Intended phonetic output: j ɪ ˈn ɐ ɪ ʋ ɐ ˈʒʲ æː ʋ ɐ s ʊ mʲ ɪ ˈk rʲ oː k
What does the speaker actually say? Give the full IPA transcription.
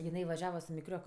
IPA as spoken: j ɪ ˈn ɐ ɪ ʋ ɐ ˈʒʲ æː ʋ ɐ s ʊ mʲ ɪ ˈk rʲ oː k